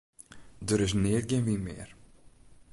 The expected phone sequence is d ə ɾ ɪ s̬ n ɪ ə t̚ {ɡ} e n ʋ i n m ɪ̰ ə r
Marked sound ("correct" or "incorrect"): correct